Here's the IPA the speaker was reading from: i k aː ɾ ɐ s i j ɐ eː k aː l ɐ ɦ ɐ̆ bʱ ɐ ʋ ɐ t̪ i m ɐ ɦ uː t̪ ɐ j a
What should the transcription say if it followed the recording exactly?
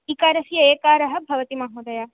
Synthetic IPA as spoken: i k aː ɾ ɐ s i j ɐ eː k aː ɾ ɐ ɦ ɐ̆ bʱ ɐ ʋ ɐ t̪ i m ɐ ɦ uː d̪ ɐ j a

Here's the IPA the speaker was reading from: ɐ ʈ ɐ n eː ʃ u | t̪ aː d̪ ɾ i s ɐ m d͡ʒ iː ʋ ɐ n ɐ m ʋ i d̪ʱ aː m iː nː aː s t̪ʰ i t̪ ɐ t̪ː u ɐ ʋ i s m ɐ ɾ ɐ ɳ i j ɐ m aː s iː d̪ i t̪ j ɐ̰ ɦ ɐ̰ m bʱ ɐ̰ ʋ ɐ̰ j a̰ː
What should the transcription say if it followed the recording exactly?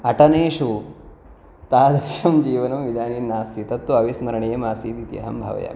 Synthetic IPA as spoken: ɐ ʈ ɐ n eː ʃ u | t̪ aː d̪ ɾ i ʃ ɐ m d͡ʒ iː ʋ ɐ n ɐ m ʋ i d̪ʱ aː n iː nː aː s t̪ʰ i t̪ ɐ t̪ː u ɐ ʋ i s m ɐ ɾ ɐ ɳ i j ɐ m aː s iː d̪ i t̪ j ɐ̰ ɦ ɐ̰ m bʱ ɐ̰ ʋ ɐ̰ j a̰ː

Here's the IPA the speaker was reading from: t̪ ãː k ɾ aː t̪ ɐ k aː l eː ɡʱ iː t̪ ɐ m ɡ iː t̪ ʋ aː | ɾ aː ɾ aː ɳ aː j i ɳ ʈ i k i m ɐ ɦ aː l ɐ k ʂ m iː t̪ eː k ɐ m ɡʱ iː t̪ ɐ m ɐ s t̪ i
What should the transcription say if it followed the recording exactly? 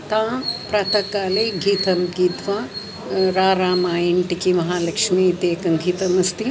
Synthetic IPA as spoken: t̪ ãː p ɾ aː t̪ ɐ k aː l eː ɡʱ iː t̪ ɐ m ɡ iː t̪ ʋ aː | ɾ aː ɾ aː m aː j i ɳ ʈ i k i m ɐ ɦ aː l ɐ k ʂ m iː t̪ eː k ɐ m ɡʱ iː t̪ ɐ m ɐ s t̪ i

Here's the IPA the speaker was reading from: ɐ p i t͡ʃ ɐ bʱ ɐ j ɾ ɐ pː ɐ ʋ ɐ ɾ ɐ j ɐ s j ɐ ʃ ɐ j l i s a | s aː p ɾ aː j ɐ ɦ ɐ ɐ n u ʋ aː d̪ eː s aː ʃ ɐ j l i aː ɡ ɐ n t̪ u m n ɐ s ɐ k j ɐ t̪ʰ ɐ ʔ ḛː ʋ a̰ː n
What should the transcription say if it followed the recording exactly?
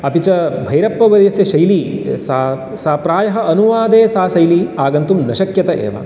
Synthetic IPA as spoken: ɐ p i t͡ʃ ɐ bʱ ɐ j ɾ ɐ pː ɐ ʋ ɐ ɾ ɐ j ɐ s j ɐ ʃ ɐ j l i s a | s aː p ɾ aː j ɐ ɦ ɐ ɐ n u ʋ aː d̪ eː s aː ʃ ɐ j l i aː ɡ ɐ n t̪ u m n ɐ ʃ ɐ k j ɐ t̪ ɐ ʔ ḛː ʋ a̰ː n

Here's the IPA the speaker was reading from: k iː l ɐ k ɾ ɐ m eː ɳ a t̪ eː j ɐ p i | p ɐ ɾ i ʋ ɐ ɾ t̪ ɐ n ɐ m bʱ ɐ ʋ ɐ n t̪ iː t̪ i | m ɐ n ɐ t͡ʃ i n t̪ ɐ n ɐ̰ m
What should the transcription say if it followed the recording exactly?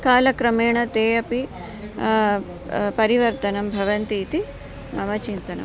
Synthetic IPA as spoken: k aː l ɐ k ɾ ɐ m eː ɳ ɐ t̪ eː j ɐ p i | p ɐ ɾ i ʋ ɐ ɾ t̪ ɐ n ɐ m bʱ ɐ ʋ ɐ n t̪ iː t̪ i | m ɐ m ɐ t͡ʃ i n t̪ ɐ n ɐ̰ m

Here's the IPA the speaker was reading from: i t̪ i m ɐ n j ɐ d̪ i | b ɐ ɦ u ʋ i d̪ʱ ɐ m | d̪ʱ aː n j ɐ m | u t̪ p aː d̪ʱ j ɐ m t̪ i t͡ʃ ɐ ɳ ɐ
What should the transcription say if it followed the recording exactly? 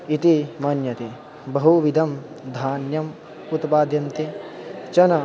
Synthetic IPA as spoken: i t̪ i m ɐ n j ɐ t̪ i | b ɐ ɦ u ʋ i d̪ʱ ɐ m | d̪ʱ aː n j ɐ m | u t̪ p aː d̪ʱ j ɐ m t̪ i t͡ʃ ɐ n ɐ

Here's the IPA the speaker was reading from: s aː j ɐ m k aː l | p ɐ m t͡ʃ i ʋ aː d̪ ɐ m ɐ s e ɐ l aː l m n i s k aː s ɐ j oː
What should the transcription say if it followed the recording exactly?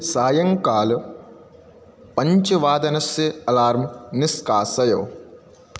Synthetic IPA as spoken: s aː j ɐ ŋ k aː l | p ɐ ɲ t͡ʃ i ʋ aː d̪ ɐ n ɐ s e ɐ l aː ɾ m n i s k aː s ɐ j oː

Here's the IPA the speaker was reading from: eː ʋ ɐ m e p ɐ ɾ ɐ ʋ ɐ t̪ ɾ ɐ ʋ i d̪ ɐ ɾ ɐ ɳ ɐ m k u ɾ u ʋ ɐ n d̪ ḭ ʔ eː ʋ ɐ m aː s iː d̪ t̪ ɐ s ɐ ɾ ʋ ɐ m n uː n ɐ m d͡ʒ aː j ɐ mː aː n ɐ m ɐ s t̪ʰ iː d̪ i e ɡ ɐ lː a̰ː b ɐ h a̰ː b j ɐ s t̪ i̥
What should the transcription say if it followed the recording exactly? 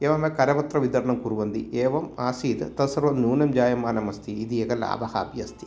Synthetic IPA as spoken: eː ʋ ɐ m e k ɐ ɾ ɐ ʋ ɐ t̪ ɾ ɐ ʋ i d̪ ɐ ɾ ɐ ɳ ɐ m k u ɾ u ʋ ɐ n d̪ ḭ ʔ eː ʋ ɐ m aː s iː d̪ t̪ ɐ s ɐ ɾ ʋ ɐ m n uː n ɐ m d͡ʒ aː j ɐ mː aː n ɐ m ɐ s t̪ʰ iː d̪ i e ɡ ɐ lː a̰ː b ɐ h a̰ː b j ɐ s t̪ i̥

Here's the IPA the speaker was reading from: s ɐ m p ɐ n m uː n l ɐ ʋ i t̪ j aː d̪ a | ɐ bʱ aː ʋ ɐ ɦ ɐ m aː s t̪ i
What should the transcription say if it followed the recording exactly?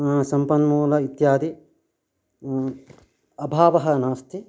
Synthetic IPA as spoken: s ɐ m p ɐ n m uː l ɐ i t̪ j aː d̪ i | ɐ bʱ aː ʋ ɐ ɦ ɐ n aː s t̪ i

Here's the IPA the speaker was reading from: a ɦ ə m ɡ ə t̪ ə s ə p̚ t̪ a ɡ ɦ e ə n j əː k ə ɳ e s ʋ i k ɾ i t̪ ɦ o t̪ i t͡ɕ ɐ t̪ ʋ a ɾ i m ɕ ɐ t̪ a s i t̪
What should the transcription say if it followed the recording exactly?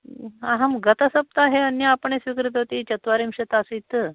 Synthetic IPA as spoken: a ɦ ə m ɡ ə t̪ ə s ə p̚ t̪ a ɦ e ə n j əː p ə ɳ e s ʋ i k ɾ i t̪ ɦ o t̪ i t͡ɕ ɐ t̪ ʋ a ɾ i m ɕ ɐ t̪ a s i t̪

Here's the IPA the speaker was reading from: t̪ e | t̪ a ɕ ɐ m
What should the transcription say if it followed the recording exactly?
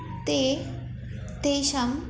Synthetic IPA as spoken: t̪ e | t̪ e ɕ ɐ m

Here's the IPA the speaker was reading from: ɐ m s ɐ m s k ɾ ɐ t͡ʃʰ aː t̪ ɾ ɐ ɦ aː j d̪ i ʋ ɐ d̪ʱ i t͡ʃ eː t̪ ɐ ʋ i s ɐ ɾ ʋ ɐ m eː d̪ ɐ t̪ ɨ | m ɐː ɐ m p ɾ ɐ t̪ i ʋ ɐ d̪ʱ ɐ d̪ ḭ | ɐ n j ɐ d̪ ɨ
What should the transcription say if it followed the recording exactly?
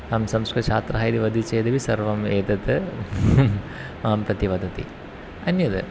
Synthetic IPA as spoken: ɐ m s ɐ m s k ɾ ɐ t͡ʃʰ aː t̪ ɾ ɐ ɦ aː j d̪ i ʋ ɐ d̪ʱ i t͡ʃ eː d̪ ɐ ʋ i s ɐ ɾ ʋ ɐ m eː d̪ ɐ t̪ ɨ | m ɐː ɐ m p ɾ ɐ t̪ i ʋ ɐ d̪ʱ ɐ t̪ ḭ | ɐ n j ɐ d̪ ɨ

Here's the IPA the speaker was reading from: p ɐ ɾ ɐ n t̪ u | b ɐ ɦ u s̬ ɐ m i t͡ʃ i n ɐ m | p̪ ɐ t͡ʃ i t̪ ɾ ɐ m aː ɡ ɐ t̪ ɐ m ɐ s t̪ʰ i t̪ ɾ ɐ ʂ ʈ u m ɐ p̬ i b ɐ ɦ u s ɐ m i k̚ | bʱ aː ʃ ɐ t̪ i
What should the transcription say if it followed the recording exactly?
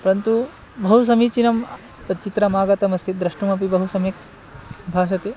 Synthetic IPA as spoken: p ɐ ɾ ɐ n t̪ u | b ɐ ɦ u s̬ ɐ m i t͡ʃ i n ɐ m | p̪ ɐ t͡ʃ i t̪ ɾ ɐ m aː ɡ ɐ t̪ ɐ m ɐ s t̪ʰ i d̪ ɾ ɐ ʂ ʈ u m ɐ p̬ i b ɐ ɦ u s ɐ m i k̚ | bʱ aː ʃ ɐ t̪ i

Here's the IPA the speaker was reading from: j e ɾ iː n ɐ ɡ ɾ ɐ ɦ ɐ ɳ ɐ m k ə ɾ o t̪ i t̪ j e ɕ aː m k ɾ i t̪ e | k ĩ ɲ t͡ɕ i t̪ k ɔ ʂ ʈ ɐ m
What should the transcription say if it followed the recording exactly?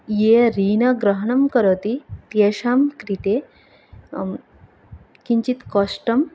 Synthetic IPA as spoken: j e ɾ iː n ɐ ɡ ɾ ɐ ɦ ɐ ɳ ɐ m k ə ɾ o t̪ i t̪ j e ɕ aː m k ɾ i t̪ e | k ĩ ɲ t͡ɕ i t̪ k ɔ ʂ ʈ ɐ m

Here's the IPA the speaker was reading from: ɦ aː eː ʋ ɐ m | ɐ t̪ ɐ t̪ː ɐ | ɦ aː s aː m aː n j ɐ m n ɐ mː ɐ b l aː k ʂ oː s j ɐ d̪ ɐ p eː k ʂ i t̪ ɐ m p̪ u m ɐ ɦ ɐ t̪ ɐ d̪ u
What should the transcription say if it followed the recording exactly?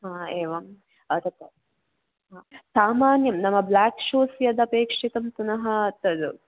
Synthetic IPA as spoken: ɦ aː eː ʋ ɐ m | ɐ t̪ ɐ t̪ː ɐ | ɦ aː s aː m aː n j ɐ m n ɐ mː ɐ b l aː k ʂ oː s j ɐ d̪ ɐ p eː k ʂ i t̪ ɐ m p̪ u n ɐ ɦ ɐ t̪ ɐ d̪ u

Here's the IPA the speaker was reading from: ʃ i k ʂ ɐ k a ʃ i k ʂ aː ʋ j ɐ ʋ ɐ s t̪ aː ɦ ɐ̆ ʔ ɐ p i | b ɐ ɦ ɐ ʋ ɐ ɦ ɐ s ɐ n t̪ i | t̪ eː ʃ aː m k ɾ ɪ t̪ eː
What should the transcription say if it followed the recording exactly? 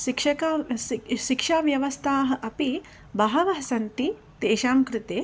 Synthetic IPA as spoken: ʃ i k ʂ ɐ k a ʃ i k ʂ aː ʋ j ɐ ʋ ɐ s t̪ʰ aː ɦ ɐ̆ ʔ ɐ p i | b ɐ ɦ ɐ ʋ ɐ ɦ ɐ s ɐ n t̪ i | t̪ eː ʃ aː m k ɾ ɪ t̪ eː

